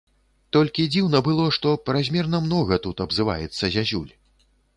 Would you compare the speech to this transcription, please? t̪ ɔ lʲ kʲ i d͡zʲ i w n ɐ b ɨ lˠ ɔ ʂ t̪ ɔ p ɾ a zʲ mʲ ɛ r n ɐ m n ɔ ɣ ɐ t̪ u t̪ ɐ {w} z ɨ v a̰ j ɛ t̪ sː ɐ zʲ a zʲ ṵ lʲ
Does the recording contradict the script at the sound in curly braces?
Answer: yes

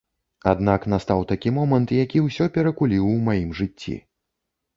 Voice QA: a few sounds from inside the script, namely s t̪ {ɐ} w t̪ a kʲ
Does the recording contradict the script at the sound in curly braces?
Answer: yes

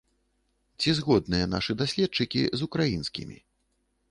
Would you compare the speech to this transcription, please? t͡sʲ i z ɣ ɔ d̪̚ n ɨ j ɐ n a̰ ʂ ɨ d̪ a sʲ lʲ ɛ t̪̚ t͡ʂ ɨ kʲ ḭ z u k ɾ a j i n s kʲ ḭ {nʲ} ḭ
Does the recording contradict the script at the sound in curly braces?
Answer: yes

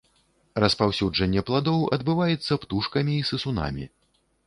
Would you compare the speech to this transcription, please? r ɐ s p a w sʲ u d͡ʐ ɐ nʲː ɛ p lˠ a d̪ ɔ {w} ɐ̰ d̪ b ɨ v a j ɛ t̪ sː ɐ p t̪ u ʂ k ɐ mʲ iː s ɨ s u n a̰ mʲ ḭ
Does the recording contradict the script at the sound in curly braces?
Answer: no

